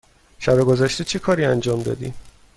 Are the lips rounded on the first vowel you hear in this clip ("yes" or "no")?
no